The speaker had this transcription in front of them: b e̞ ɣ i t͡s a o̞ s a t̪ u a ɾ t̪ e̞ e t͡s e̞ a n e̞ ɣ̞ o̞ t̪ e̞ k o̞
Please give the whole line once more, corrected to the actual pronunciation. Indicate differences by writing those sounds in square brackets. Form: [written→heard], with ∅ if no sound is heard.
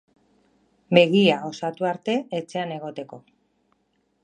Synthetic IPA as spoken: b e̞ ɣ i [t͡s→∅] a o̞ s a t̪ u a ɾ t̪ e̞ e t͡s e̞ a n e̞ ɣ̞ o̞ t̪ e̞ k o̞